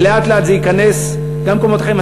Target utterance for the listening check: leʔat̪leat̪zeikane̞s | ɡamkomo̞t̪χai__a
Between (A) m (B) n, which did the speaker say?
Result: A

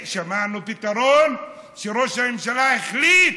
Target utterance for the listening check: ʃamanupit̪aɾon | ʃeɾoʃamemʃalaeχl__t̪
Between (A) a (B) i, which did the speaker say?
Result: B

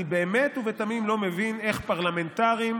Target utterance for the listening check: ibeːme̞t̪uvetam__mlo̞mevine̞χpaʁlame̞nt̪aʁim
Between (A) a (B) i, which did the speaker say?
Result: B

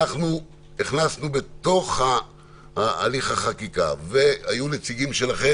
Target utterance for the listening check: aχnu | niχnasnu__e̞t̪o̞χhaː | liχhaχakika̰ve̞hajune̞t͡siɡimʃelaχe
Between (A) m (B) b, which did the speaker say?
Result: B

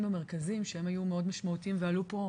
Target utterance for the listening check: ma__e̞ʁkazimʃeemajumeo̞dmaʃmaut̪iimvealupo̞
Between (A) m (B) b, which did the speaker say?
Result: A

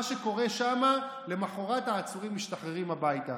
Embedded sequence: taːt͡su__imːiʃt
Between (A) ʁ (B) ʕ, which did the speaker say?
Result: A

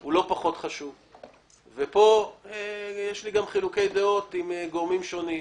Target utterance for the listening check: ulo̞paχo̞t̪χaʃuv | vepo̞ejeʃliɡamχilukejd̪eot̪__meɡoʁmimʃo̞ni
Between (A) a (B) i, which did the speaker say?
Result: B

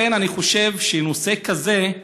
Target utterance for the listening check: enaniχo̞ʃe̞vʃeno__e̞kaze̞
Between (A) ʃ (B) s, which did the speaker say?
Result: B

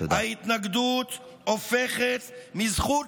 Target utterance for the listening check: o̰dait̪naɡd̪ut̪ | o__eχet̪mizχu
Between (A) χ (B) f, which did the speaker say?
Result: B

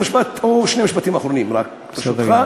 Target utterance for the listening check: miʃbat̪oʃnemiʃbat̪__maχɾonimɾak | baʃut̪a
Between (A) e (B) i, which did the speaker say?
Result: B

